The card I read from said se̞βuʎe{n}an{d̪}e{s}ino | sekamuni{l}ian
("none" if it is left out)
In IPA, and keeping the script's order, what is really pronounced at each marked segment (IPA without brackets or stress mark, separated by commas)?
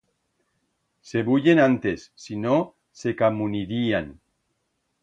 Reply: n, t̪, sː, ɾ